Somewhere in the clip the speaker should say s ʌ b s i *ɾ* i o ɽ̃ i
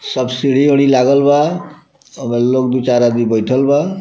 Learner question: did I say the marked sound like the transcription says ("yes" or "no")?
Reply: no